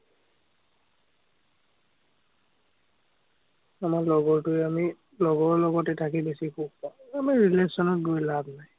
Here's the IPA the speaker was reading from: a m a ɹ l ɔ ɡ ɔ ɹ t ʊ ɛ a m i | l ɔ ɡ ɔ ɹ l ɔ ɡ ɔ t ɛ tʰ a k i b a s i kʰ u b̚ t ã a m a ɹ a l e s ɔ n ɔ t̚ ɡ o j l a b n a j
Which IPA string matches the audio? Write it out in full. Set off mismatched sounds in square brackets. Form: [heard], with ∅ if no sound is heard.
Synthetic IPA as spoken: a m a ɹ l ɔ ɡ ɔ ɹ t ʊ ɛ a m i | l ɔ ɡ ɔ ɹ l ɔ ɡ ɔ t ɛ tʰ a k i b [e] s i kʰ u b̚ [p] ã a m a ɹ [i] l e s ɔ n ɔ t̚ ɡ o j l a b n a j